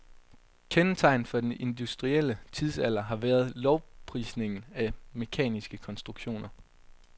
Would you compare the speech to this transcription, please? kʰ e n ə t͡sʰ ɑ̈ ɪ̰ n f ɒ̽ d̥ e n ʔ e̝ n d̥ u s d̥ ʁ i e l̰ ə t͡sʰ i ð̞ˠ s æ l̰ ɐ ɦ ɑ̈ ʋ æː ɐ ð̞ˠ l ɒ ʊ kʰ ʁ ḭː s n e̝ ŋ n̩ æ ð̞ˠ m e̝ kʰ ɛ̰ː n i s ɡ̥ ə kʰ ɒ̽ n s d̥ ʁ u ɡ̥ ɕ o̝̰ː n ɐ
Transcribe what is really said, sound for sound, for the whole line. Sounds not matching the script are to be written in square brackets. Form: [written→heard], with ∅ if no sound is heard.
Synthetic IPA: kʰ e n ə t͡sʰ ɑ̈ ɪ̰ n f ɒ̽ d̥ e n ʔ e̝ n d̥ u s d̥ ʁ i e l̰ ə t͡sʰ i ð̞ˠ s æ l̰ ɐ ɦ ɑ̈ ʋ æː ɐ ð̞ˠ l ɒ ʊ [kʰ→pʰ] ʁ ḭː s n e̝ ŋ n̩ æ [ð̞ˠ→∅] m e̝ kʰ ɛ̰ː n i s ɡ̥ ə kʰ ɒ̽ n s d̥ ʁ u ɡ̥ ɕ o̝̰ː n ɐ